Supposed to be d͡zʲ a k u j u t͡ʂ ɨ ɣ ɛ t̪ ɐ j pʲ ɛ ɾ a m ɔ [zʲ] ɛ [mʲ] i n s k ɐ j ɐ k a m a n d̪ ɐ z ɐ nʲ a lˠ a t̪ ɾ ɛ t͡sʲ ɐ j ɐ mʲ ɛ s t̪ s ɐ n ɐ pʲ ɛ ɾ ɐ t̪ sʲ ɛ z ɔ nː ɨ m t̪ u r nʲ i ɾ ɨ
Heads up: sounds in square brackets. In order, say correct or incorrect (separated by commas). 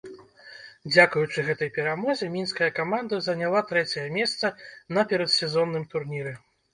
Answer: correct, correct